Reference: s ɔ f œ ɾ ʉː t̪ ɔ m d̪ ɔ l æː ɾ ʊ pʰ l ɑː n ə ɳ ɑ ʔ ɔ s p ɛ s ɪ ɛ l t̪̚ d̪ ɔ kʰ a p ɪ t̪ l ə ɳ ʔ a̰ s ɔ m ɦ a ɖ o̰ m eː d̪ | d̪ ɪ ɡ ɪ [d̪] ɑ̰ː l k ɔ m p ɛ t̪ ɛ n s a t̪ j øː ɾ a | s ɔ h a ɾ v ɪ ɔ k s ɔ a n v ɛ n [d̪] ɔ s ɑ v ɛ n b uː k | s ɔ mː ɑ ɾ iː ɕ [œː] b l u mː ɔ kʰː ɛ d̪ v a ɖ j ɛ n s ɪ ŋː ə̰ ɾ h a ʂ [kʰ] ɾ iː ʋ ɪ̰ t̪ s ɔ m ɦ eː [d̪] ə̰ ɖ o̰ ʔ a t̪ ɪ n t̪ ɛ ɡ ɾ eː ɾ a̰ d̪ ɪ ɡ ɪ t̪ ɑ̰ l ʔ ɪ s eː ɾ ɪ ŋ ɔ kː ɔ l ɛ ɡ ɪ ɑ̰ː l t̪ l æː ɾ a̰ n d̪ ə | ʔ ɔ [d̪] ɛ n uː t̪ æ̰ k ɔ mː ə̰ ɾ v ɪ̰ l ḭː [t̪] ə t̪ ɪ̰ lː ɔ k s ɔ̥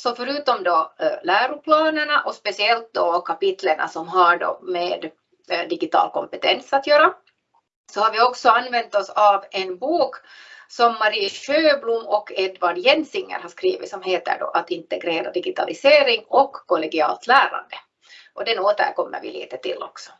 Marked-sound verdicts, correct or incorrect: incorrect: t̪, incorrect: t̪, incorrect: øː, incorrect: k, incorrect: t̪, correct, correct

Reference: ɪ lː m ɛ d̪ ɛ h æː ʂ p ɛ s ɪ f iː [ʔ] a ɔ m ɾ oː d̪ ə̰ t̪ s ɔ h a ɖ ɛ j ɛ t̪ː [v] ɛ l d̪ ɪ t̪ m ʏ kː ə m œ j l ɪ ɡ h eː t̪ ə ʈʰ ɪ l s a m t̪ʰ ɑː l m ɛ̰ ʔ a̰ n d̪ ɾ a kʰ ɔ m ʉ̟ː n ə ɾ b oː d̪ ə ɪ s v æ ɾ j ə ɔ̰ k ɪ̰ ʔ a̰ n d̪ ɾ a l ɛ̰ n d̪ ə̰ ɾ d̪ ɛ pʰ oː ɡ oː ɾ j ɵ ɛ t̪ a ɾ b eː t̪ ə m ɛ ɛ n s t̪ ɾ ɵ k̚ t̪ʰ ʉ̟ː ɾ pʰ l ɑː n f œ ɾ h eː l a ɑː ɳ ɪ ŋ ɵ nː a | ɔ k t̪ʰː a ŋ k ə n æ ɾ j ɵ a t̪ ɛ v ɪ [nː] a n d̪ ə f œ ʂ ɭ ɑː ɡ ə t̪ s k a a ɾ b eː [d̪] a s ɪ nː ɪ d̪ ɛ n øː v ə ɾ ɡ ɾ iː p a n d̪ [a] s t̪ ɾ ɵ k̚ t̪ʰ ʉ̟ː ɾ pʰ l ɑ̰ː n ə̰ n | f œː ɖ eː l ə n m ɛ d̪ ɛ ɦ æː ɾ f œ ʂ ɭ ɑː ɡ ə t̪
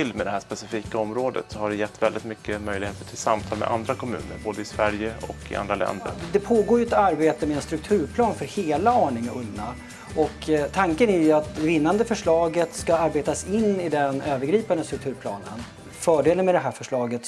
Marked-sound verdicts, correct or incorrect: incorrect: k, correct, correct, incorrect: t̪, incorrect: ə

